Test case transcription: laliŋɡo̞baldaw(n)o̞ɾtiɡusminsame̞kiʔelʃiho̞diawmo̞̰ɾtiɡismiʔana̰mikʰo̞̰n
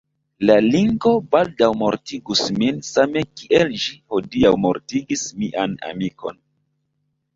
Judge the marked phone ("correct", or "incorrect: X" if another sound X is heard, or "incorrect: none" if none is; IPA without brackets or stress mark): incorrect: m